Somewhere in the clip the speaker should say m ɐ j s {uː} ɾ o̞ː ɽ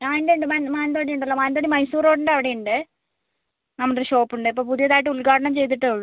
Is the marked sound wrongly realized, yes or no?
no